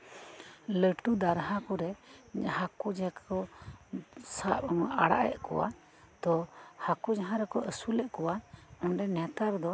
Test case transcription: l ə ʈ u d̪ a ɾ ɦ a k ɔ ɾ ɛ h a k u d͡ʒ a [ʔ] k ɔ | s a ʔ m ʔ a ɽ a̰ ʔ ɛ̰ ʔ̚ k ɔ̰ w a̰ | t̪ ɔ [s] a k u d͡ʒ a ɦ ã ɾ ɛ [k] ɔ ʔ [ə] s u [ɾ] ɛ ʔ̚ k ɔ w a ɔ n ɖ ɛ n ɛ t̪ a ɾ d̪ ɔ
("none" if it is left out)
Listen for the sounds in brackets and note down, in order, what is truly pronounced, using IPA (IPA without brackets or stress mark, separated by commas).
none, h, k, ə, l